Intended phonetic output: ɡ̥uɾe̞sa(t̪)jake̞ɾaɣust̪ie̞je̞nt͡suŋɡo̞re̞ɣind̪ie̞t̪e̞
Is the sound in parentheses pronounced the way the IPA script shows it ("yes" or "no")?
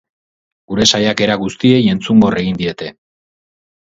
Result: no